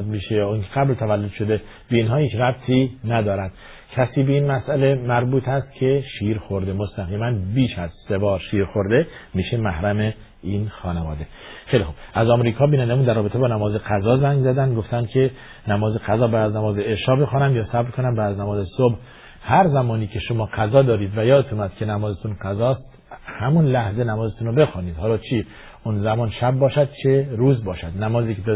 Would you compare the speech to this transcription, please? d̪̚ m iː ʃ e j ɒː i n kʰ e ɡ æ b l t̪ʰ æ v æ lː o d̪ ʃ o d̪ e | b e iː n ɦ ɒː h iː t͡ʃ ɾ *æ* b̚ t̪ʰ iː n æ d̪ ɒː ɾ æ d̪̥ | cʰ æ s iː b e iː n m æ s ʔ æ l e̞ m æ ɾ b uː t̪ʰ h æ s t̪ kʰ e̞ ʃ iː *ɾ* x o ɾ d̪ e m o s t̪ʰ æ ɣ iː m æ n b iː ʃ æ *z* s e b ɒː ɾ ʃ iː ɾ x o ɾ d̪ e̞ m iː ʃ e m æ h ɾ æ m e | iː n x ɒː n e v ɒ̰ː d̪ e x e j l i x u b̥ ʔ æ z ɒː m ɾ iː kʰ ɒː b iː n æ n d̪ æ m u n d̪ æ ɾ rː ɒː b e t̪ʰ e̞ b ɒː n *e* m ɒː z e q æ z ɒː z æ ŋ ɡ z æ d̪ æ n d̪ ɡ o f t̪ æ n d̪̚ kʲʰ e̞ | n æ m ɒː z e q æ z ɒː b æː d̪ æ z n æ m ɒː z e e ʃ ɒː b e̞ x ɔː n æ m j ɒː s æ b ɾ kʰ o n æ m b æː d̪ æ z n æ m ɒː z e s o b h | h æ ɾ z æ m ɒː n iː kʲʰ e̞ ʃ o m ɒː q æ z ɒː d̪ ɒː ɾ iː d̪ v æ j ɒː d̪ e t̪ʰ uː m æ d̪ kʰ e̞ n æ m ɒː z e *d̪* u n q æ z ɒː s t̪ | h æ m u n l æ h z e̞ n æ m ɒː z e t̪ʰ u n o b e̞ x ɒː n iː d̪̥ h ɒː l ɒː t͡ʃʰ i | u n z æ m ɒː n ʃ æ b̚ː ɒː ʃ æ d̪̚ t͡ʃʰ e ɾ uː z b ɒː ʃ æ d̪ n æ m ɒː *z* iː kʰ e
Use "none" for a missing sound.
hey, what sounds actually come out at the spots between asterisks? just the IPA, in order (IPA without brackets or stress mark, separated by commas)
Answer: æ, ɾ, z, æ, t̪, z